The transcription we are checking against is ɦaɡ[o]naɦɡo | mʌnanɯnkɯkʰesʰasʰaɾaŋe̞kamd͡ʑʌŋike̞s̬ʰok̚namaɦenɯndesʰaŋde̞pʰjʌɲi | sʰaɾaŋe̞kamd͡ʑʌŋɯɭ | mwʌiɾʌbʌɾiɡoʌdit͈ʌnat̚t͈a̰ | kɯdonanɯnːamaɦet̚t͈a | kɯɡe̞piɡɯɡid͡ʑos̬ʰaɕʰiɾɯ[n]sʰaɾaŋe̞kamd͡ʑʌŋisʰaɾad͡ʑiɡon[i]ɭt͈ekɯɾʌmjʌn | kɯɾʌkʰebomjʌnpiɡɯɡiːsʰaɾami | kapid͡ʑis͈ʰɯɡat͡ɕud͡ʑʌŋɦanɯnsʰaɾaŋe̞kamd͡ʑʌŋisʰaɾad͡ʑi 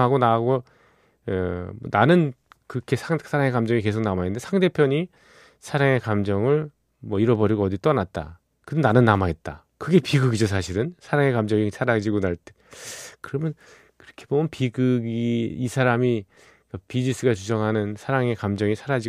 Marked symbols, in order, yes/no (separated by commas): yes, yes, no